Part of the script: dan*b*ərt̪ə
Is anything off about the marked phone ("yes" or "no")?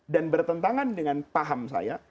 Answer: no